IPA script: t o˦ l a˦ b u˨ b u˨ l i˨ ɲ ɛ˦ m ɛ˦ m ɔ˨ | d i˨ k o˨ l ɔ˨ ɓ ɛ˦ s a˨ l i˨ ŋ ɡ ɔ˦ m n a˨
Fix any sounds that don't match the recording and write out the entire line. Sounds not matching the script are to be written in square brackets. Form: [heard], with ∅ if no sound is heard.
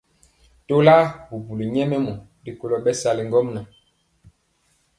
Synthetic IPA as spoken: t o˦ l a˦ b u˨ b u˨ l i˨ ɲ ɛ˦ m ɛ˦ m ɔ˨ | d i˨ k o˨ l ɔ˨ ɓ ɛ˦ s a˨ l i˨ ŋ ɡ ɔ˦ m n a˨